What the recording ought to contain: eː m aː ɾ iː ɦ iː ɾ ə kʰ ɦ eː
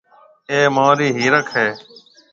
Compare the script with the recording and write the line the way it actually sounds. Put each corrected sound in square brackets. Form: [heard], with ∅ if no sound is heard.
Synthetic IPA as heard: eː m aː ɾ iː ɦ iː ɾ ə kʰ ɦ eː